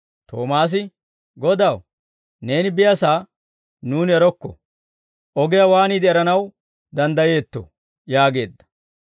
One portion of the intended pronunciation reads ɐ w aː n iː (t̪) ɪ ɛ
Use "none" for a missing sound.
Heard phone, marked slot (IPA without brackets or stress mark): d̪